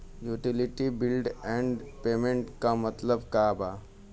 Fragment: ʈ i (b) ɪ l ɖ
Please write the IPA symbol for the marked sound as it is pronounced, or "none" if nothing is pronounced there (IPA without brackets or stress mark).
b